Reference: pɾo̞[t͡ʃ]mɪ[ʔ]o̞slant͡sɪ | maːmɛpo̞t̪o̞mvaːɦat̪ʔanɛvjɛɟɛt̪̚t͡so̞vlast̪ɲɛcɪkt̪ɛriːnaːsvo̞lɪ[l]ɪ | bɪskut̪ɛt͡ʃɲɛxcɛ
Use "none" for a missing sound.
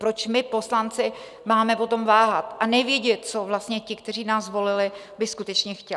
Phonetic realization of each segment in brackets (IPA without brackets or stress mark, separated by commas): t͡ʃ, p, l